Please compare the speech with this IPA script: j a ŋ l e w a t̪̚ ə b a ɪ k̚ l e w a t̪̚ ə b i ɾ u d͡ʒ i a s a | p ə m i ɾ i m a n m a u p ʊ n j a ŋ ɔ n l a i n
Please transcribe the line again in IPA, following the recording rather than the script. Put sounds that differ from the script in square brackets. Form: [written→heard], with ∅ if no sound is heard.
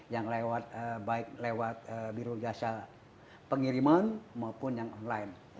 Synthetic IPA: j a ŋ l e w a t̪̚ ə b a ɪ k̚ l e w a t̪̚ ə b i ɾ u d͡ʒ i a s a | p ə [m→ŋ] i ɾ i m a n m a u p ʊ n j a ŋ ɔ n l a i n